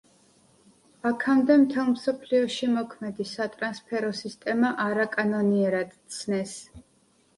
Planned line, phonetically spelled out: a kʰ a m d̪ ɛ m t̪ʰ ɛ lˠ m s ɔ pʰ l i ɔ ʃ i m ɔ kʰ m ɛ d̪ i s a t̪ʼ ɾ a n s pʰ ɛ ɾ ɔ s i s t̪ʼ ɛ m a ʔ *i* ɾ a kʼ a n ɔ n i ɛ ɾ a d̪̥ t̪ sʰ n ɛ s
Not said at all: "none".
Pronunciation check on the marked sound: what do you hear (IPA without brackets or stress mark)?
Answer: a